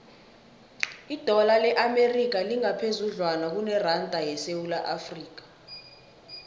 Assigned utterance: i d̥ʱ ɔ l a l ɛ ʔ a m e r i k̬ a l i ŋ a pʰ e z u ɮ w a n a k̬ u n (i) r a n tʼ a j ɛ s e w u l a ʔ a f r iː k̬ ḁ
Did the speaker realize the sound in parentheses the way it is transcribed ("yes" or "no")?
no